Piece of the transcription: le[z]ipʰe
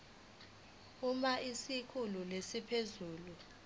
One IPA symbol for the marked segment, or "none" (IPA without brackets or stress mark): s